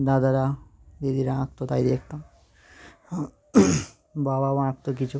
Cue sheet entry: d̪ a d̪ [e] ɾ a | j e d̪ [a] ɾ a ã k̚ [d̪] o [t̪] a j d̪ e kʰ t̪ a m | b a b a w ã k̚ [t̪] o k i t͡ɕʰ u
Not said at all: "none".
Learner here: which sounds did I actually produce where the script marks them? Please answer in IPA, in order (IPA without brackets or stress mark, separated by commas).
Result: a, i, t̪, t̪, t̪